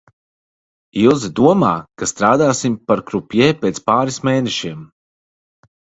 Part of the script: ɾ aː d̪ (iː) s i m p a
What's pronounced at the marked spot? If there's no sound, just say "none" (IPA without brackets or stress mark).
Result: aː